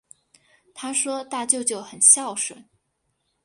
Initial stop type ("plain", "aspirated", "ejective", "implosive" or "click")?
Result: aspirated